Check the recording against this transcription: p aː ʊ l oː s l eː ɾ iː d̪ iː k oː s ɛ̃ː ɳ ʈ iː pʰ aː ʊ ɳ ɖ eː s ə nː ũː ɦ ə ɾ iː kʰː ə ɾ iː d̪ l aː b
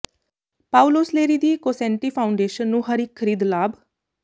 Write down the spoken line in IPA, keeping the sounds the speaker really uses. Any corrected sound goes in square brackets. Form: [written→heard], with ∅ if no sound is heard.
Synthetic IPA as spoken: p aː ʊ l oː s l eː ɾ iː d̪ iː k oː s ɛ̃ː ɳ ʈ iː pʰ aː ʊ ɳ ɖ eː [s→ʃ] ə nː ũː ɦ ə ɾ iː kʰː ə ɾ iː d̪ l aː b